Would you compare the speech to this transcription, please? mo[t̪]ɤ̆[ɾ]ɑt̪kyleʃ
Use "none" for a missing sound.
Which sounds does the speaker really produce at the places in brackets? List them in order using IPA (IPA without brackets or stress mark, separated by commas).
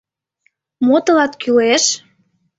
t̪, l